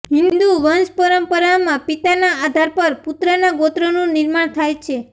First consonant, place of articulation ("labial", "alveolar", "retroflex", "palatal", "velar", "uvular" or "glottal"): glottal